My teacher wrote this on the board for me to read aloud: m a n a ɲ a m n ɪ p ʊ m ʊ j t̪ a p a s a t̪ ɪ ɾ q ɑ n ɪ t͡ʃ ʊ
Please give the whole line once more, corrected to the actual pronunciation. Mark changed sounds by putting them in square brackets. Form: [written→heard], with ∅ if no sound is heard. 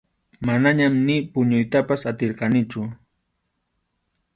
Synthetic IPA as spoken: m a n a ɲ a m n ɪ p ʊ [m→ɲ] ʊ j t̪ a p a s a t̪ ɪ ɾ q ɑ n ɪ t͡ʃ ʊ